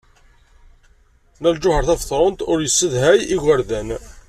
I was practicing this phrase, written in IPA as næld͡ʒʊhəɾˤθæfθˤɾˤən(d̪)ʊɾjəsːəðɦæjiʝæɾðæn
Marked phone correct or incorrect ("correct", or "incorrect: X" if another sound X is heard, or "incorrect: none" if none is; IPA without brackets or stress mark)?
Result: incorrect: t̪